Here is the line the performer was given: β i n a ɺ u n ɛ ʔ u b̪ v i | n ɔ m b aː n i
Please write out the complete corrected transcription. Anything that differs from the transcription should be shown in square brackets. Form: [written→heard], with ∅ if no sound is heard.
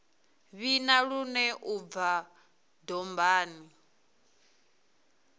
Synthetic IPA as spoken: β i n a ɺ u n ɛ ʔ u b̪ v [i→a] | [n→d] ɔ m b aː n i